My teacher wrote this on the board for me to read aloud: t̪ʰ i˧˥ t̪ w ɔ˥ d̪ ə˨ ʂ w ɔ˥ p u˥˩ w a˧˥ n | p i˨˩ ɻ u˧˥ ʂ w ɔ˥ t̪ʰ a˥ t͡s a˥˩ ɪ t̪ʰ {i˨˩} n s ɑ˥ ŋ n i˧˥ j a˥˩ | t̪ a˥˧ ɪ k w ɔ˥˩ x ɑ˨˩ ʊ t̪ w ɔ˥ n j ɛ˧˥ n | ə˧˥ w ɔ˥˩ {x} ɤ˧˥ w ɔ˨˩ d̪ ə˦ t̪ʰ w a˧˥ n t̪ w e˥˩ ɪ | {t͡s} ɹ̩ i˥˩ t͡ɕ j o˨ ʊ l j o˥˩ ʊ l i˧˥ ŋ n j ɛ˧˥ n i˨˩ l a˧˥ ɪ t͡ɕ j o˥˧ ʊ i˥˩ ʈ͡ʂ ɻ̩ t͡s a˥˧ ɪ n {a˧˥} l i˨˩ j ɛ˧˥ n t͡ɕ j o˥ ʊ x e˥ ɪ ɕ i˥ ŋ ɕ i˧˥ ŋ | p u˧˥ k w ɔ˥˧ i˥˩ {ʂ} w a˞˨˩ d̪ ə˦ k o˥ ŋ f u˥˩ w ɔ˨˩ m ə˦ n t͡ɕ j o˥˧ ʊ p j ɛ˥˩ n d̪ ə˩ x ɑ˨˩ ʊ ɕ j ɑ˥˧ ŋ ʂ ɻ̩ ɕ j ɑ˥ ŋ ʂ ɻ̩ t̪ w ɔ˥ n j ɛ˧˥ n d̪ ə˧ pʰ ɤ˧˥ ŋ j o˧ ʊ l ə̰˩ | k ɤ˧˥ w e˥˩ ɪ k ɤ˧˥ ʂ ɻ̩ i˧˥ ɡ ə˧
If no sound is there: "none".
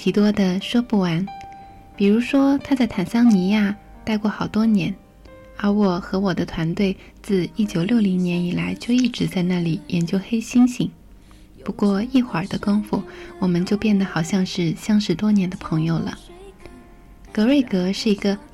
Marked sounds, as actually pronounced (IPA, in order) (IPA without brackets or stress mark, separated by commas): a˨˩, x, t͡s, a˥˩, x